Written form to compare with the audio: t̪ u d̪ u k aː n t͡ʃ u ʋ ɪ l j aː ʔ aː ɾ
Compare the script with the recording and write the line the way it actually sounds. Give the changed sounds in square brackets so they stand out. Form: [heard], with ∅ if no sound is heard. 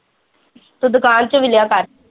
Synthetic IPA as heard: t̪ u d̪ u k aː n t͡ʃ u ʋ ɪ l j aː [k] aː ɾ